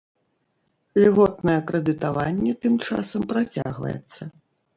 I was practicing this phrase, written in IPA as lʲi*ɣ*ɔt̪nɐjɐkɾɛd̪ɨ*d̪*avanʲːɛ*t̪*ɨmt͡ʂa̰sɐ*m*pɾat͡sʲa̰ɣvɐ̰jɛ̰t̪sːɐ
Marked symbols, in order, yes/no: yes, no, yes, yes

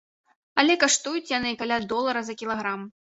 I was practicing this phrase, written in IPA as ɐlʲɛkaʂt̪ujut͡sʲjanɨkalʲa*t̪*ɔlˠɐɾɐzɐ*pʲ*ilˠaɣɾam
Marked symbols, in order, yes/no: no, no

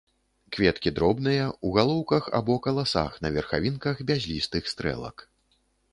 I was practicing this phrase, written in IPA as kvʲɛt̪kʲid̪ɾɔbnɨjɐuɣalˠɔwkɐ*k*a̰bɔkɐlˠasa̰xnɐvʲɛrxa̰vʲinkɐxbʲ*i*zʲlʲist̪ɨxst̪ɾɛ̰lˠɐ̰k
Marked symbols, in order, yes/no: no, no

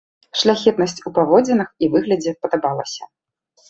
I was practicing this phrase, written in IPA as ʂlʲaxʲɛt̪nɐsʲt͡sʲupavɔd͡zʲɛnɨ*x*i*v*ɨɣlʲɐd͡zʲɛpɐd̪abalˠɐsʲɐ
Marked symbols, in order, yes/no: yes, yes

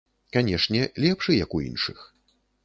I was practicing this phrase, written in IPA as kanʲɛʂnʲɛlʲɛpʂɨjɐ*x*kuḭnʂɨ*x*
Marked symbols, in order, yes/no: no, yes

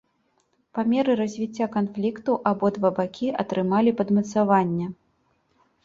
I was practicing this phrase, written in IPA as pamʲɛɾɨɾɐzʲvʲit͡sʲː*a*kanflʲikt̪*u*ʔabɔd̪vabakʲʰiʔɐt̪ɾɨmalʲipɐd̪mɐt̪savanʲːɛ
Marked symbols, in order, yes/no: yes, yes

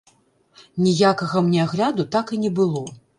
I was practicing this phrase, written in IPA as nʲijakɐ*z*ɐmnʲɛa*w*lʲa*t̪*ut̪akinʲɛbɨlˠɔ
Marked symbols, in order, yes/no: no, no, no

